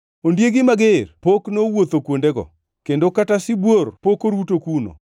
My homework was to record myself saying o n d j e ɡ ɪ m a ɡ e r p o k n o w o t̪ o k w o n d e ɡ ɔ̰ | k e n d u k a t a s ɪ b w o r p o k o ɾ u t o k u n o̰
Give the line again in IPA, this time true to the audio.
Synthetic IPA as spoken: o n d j e ɡ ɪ m a ɡ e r p o k n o w o t̪ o k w o n d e ɡ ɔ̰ | k e n d o k a t a s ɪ b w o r p o k o ɾ u t o k u n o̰